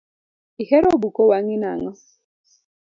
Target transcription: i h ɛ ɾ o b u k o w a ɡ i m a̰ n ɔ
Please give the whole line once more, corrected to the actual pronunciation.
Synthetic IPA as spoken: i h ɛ ɾ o b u k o w a ŋ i n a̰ ŋ ɔ